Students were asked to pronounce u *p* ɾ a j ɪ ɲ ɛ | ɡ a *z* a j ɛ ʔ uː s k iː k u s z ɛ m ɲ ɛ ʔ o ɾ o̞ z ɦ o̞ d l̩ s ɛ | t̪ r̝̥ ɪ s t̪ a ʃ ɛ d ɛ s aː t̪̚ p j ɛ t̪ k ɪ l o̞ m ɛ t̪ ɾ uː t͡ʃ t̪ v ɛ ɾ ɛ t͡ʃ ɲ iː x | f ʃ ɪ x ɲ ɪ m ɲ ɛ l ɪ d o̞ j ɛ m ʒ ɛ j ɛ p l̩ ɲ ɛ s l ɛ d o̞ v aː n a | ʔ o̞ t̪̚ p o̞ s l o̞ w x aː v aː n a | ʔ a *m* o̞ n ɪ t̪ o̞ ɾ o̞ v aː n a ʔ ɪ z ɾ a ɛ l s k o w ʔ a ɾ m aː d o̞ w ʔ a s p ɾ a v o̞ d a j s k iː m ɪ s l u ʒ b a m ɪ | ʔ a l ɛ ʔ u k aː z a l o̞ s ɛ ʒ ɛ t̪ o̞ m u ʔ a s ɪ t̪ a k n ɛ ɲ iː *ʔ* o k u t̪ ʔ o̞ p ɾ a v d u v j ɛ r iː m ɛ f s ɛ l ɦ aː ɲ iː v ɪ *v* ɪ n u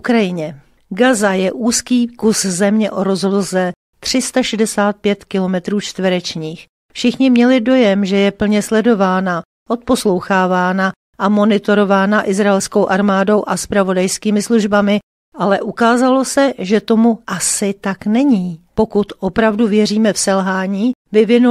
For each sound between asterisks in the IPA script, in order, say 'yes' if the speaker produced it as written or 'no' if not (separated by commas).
no, yes, yes, no, yes